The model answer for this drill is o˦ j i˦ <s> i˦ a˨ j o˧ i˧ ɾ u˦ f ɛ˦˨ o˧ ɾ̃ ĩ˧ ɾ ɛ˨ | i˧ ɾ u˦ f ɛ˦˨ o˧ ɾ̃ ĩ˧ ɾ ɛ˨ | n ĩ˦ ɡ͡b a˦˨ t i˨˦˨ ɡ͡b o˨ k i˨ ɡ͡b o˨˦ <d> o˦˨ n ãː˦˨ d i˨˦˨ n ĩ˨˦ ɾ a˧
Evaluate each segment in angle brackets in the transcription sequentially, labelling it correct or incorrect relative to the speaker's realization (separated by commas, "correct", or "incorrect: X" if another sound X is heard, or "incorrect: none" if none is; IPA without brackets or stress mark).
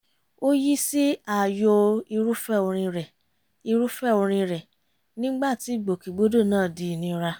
correct, correct